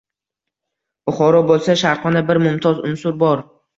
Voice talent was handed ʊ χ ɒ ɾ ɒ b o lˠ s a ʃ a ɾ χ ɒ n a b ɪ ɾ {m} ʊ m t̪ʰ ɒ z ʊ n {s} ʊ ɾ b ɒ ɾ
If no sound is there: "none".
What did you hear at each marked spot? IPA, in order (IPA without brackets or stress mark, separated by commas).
m, s